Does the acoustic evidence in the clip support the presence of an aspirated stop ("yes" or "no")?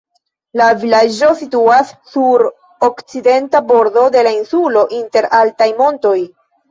no